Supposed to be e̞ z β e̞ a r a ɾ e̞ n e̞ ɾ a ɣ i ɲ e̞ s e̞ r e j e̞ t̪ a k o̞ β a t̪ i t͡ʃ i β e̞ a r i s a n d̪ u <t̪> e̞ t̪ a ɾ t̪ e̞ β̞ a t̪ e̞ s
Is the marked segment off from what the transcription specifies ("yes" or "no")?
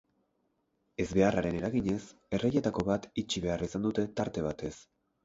no